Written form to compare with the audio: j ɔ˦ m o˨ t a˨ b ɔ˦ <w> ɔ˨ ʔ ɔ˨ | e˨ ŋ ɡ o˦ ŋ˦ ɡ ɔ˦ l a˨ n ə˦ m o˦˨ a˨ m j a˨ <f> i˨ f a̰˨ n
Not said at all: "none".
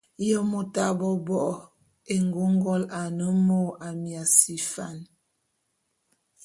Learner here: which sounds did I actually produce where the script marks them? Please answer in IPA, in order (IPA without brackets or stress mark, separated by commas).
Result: b, s